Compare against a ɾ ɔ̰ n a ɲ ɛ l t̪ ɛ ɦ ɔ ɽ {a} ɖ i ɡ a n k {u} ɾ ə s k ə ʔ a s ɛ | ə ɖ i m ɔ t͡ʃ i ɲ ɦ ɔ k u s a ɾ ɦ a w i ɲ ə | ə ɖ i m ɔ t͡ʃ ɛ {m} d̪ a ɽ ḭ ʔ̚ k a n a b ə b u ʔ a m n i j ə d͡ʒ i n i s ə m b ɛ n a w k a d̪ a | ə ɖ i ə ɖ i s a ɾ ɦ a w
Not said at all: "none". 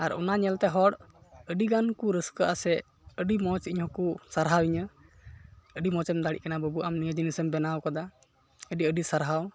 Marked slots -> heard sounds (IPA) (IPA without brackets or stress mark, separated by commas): ə, u, m